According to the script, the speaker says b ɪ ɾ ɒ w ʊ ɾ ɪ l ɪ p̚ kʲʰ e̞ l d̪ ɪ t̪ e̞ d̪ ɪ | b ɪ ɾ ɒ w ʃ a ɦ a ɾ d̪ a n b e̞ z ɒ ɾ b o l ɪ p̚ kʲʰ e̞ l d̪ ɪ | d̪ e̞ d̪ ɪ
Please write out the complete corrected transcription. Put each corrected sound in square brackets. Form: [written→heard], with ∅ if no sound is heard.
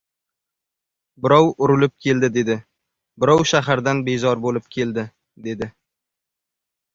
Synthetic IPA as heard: b ɪ ɾ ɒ w ʊ ɾ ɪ l ɪ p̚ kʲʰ e̞ l d̪ ɪ [t̪→d̪] e̞ d̪ ɪ | b ɪ ɾ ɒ w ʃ a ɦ a ɾ d̪ a n b e̞ z ɒ ɾ b o l ɪ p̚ kʲʰ e̞ l d̪ ɪ | d̪ e̞ d̪ ɪ

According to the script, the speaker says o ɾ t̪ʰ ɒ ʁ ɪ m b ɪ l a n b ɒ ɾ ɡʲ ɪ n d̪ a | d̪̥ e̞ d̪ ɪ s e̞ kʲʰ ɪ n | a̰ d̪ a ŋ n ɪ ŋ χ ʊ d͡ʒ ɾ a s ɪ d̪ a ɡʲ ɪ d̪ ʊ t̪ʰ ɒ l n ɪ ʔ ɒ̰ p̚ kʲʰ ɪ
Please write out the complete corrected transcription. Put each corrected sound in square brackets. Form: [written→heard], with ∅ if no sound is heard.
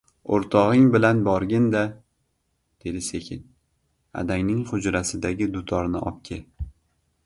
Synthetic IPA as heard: o ɾ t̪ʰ ɒ ʁ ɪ [m→ŋ] b ɪ l a n b ɒ ɾ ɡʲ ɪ n d̪ a | d̪̥ e̞ d̪ ɪ s e̞ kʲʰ ɪ n | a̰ d̪ a ŋ n ɪ ŋ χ ʊ d͡ʒ ɾ a s ɪ d̪ a ɡʲ ɪ d̪ ʊ t̪ʰ ɒ [l→ɾ] n ɪ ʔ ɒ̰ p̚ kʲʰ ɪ

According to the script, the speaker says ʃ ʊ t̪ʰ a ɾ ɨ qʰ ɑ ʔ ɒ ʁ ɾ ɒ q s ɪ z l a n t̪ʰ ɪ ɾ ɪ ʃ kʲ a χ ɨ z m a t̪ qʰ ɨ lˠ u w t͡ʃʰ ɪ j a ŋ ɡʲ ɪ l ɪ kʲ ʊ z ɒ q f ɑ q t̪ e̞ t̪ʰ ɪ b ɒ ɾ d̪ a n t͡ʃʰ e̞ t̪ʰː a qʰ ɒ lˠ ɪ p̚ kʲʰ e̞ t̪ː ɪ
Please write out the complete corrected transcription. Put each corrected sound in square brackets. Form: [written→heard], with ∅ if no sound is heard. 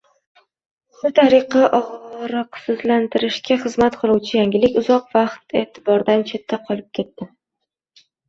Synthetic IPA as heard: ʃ ʊ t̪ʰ a ɾ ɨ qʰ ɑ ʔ ɒ ʁ ɾ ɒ q s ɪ z l a n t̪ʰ ɪ ɾ ɪ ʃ kʲ a χ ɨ z m a t̪ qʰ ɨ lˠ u w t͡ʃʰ ɪ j a ŋ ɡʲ ɪ l ɪ kʲ ʊ z ɒ q [f→v] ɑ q t̪ e̞ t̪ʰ ɪ b ɒ ɾ d̪ a n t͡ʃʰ e̞ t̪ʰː a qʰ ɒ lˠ ɪ p̚ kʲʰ e̞ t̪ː ɪ

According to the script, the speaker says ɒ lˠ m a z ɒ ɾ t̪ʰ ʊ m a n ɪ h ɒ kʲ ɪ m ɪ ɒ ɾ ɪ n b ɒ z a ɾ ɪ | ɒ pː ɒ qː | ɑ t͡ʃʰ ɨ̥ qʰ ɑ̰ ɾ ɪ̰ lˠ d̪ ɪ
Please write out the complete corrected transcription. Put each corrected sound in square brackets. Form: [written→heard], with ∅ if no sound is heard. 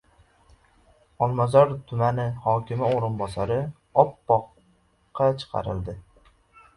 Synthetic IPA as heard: ɒ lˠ m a z ɒ ɾ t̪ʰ ʊ m a n ɪ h ɒ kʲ ɪ m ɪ [ɒ→o] ɾ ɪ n b ɒ [z→s] a ɾ ɪ | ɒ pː ɒ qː | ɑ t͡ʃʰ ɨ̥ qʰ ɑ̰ ɾ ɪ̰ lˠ d̪ ɪ

